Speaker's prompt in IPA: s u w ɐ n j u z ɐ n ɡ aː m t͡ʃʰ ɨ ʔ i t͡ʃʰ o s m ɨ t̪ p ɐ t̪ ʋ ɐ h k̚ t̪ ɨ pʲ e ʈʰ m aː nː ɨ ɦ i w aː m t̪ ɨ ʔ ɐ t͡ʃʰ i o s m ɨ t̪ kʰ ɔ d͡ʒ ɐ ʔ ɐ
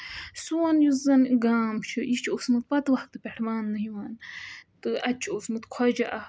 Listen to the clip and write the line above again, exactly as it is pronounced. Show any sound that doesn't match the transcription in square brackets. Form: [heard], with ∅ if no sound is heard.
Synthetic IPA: s u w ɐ n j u z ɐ n ɡ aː m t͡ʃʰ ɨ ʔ i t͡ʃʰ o s m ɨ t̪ p ɐ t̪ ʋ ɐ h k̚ t̪ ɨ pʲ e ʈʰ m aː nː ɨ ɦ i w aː [n] t̪ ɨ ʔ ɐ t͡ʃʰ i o s m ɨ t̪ kʰ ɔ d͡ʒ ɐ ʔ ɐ